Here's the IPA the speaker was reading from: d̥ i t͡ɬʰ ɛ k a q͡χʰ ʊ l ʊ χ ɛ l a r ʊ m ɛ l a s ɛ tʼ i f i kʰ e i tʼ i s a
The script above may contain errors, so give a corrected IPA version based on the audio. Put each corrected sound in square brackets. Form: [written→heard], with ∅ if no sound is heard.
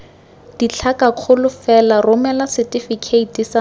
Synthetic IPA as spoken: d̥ i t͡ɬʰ [ɛ→a] k a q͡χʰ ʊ l ʊ [χ→f] ɛ l a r ʊ m ɛ l a s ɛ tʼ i f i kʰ e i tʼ i s a